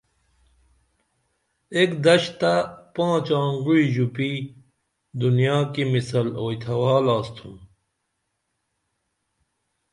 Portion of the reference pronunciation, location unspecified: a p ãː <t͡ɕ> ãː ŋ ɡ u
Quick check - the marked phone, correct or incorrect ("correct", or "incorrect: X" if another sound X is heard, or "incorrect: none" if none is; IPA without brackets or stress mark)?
correct